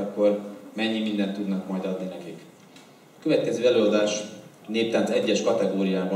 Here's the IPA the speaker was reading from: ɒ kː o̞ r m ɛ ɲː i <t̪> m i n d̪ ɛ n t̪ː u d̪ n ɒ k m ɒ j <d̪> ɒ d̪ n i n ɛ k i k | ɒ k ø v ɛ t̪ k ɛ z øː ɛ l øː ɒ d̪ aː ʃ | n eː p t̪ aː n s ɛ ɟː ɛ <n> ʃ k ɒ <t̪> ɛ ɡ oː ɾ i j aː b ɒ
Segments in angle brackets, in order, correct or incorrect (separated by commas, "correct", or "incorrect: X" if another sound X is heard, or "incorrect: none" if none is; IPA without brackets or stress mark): incorrect: none, correct, incorrect: none, correct